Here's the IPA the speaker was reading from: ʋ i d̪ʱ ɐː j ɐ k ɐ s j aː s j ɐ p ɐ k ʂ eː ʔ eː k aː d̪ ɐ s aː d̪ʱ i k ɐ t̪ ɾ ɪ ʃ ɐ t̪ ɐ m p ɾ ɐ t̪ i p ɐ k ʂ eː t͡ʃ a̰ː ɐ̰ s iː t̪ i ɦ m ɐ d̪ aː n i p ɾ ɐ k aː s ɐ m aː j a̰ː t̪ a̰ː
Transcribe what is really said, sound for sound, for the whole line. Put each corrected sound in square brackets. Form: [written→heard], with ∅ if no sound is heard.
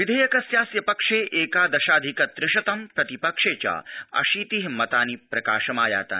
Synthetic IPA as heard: ʋ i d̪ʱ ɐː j ɐ k ɐ s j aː s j ɐ p ɐ k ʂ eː ʔ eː k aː d̪ ɐ [s→ʃ] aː d̪ʱ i k ɐ t̪ ɾ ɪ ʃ ɐ t̪ ɐ m p ɾ ɐ t̪ i p ɐ k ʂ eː t͡ʃ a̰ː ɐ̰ [s→ʃ] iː t̪ i ɦ m ɐ [d̪→t̪] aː n i p ɾ ɐ k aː [s→ʃ] ɐ m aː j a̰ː t̪ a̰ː